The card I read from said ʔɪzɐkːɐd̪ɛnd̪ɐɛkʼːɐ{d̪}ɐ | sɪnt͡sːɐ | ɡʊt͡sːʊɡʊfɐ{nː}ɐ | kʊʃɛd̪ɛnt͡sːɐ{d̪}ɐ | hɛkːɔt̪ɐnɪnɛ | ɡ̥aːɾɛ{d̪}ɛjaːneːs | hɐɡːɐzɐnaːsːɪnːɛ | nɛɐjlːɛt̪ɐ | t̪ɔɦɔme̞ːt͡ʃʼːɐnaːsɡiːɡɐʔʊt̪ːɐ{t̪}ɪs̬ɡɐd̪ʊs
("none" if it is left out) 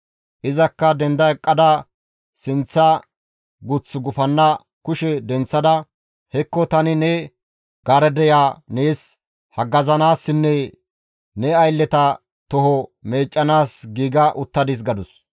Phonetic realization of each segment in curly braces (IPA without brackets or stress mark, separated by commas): d̪, nː, d̪, d̪, d̪